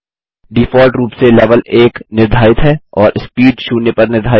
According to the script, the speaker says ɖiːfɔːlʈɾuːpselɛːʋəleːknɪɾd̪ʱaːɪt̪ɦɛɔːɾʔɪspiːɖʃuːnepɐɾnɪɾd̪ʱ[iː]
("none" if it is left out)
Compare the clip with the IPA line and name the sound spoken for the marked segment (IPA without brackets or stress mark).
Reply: aː